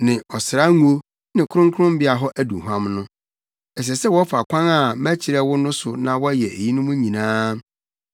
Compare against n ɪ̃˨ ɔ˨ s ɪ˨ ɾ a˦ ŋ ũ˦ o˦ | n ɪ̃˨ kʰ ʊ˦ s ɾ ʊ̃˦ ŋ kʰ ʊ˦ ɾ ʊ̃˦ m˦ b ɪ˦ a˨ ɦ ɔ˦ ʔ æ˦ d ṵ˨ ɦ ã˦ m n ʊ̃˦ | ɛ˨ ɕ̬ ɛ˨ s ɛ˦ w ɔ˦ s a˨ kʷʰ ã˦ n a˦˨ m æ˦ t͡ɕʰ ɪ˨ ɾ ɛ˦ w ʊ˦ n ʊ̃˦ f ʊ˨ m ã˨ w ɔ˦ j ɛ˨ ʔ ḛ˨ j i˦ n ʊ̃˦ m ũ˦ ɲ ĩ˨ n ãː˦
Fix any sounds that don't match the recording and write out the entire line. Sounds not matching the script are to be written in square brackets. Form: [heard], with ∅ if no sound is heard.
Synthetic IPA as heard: n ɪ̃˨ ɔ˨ s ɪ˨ ɾ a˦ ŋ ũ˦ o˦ | n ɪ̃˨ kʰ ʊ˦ [∅] ɾ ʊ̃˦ ŋ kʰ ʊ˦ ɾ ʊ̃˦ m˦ b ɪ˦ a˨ ɦ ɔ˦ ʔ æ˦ d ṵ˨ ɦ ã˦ m n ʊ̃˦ | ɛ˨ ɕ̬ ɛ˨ s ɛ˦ w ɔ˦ [f] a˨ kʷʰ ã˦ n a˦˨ m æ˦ t͡ɕʰ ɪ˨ ɾ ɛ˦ w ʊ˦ n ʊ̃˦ [s] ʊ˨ [n] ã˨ w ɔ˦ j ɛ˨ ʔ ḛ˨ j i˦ n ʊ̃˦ m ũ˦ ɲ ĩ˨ n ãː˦